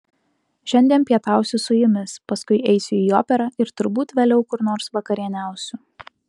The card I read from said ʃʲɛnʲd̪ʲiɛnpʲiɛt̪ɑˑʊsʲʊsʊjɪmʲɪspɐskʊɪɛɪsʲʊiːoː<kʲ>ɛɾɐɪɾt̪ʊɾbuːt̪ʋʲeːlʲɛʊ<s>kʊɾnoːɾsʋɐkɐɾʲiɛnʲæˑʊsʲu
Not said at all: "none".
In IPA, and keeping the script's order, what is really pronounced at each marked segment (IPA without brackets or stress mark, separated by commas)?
pʲ, none